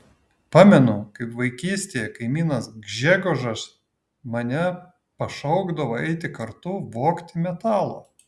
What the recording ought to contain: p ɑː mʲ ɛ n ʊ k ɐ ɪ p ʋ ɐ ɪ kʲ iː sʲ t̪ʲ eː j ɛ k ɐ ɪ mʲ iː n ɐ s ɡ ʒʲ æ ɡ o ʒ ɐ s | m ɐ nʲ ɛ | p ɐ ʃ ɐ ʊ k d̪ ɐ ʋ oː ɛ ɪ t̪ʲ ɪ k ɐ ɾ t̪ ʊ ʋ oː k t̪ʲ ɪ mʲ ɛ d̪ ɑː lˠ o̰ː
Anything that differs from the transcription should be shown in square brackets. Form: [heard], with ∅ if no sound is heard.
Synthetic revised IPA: p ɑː mʲ ɛ n ʊ k ɐ ɪ p ʋ ɐ ɪ kʲ iː sʲ t̪ʲ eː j ɛ k ɐ ɪ mʲ iː n ɐ s ɡ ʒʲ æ ɡ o ʒ ɐ s | m ɐ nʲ ɛ | p ɐ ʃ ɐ ʊ [ɡ] d̪ ɐ ʋ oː ɛ ɪ t̪ʲ ɪ k ɐ ɾ t̪ ʊ ʋ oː k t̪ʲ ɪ mʲ ɛ [t̪] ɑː lˠ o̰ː

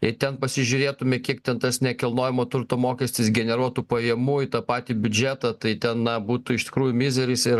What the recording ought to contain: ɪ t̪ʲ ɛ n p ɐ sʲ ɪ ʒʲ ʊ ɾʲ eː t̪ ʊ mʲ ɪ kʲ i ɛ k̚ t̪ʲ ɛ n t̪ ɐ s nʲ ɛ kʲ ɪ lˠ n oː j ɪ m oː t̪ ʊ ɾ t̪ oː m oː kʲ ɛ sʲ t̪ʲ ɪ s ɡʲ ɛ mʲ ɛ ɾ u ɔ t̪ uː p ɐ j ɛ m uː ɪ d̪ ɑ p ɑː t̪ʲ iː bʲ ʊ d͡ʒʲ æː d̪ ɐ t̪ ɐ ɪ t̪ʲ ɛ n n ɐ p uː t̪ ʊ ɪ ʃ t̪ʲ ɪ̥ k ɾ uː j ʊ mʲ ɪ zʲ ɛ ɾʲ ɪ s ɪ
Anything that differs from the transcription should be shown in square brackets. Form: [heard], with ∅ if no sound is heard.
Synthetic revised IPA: ɪ t̪ʲ ɛ n p ɐ sʲ ɪ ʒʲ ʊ ɾʲ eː t̪ ʊ mʲ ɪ kʲ i ɛ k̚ t̪ʲ ɛ n t̪ ɐ s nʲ ɛ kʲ ɪ lˠ n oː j ɪ m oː t̪ ʊ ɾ t̪ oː m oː kʲ ɛ sʲ t̪ʲ ɪ s ɡʲ ɛ [nʲ] ɛ ɾ u ɔ t̪ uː p ɐ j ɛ m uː ɪ [t̪] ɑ p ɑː t̪ʲ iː bʲ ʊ d͡ʒʲ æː [t̪] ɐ t̪ ɐ ɪ t̪ʲ ɛ n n ɐ [b] uː t̪ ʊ ɪ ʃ t̪ʲ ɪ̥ k ɾ uː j ʊ mʲ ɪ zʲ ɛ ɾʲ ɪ s ɪ

